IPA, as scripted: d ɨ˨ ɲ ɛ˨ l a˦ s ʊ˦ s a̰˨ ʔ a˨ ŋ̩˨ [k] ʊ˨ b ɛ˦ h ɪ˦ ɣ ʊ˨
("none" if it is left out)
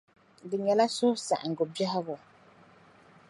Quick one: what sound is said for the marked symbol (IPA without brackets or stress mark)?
ɡ